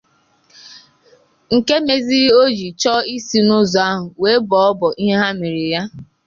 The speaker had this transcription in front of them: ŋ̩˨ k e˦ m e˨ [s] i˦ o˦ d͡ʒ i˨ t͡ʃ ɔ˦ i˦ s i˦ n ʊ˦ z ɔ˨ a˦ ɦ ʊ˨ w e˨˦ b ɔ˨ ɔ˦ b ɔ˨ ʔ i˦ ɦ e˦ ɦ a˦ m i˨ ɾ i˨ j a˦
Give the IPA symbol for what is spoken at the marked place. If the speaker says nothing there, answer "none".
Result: z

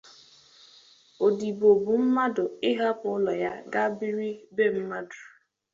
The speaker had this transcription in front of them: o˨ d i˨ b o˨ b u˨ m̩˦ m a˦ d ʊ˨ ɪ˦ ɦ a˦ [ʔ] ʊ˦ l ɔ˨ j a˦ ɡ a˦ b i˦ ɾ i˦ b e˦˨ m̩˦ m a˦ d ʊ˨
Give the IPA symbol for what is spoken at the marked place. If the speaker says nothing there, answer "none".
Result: p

